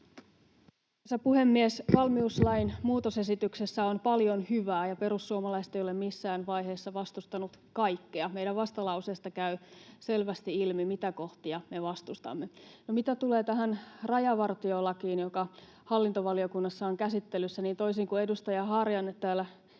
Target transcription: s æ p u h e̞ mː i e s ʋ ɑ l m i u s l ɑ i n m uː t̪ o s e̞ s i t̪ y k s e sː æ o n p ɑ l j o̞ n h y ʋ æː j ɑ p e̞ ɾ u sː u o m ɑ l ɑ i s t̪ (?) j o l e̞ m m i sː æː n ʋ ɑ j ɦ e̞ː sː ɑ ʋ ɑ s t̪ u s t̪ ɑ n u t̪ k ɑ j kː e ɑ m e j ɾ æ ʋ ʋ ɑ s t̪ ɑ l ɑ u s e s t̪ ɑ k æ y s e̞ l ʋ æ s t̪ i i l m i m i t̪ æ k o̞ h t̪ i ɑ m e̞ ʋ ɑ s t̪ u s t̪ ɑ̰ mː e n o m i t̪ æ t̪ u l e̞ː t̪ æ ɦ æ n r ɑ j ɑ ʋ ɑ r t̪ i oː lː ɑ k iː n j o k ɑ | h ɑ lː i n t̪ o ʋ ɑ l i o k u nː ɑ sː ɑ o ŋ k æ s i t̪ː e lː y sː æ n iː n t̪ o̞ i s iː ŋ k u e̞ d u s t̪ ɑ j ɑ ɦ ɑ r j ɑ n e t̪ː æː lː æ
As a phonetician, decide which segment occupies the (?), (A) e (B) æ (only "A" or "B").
A